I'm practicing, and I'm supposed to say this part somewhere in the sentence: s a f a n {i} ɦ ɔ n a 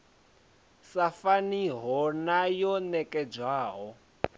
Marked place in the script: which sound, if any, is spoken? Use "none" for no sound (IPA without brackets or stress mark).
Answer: i